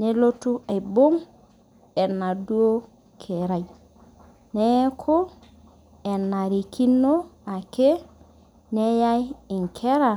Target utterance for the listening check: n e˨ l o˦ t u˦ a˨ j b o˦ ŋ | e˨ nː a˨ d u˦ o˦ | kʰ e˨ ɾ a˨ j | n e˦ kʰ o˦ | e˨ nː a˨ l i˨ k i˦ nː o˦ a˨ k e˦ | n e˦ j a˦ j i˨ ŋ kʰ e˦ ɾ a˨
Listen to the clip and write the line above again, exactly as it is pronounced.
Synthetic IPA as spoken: n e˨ l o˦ t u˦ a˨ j b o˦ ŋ | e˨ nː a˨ d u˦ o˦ | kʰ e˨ ɾ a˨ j | n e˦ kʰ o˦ | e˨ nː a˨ ɾ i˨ k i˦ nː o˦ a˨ k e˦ | n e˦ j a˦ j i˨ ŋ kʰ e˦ ɾ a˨